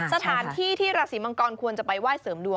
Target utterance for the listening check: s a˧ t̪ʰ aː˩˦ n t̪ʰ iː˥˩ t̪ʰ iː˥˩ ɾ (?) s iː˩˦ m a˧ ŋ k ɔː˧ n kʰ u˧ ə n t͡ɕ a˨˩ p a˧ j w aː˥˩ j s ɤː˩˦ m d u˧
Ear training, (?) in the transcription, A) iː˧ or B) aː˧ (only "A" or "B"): B